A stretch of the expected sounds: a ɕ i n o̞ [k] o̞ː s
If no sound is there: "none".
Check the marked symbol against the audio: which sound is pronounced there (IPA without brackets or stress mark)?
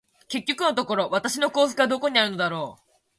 k